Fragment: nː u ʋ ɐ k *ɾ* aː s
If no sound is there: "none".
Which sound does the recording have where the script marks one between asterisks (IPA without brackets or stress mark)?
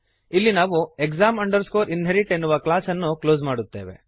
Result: l